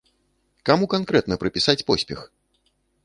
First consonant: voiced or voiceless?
voiceless